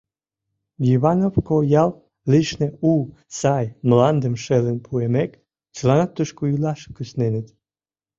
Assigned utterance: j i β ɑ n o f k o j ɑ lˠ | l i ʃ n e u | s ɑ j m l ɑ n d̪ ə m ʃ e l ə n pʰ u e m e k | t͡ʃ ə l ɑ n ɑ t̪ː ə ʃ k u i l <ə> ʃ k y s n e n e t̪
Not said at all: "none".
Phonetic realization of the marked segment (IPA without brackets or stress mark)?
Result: ɑ